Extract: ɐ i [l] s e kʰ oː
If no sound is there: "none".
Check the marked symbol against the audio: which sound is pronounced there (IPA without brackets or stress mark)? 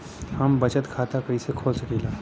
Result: none